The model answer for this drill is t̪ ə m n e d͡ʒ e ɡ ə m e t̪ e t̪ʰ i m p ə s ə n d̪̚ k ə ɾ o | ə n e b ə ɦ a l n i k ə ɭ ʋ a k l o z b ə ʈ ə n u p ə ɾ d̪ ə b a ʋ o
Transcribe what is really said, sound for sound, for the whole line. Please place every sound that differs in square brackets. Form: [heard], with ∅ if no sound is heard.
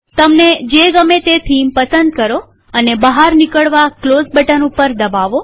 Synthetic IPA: t̪ ə m n e d͡ʒ e ɡ ə m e t̪ e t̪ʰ i m p ə s ə n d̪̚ k ə ɾ o | ə n e b ə ɦ a [ɾ] n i k ə ɭ ʋ a k l o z b ə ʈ ə n u p ə ɾ d̪ ə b a ʋ o